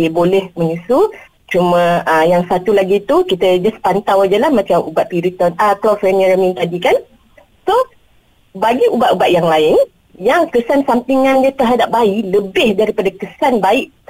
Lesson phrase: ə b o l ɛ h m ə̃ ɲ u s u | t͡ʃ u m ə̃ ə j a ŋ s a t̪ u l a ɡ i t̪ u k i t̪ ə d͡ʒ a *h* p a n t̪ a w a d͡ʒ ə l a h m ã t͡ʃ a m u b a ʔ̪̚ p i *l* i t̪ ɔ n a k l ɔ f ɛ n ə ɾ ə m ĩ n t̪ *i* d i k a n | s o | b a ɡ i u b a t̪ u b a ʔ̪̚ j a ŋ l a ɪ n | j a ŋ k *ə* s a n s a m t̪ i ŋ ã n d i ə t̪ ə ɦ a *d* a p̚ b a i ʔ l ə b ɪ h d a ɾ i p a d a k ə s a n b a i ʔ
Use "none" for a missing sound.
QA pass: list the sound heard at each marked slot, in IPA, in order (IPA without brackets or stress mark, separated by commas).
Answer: s, ɾ, a, ə, d